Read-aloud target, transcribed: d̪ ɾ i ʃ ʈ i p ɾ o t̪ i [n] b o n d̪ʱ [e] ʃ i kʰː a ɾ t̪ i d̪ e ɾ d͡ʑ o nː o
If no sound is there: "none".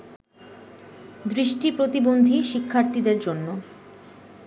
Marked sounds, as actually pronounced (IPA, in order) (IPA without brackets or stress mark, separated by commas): none, i